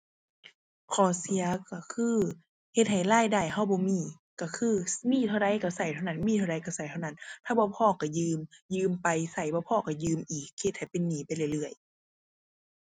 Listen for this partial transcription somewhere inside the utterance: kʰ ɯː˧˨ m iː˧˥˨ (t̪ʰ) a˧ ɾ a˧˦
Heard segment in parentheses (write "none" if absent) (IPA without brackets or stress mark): t̪ʰ